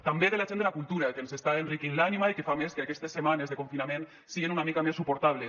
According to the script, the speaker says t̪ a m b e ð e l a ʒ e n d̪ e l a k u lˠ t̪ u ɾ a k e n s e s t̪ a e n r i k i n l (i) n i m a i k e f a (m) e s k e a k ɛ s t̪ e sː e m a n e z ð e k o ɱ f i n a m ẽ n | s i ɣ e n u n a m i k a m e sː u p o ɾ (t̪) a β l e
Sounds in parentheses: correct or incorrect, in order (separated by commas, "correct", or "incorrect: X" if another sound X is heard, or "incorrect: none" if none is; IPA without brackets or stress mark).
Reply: incorrect: a, correct, correct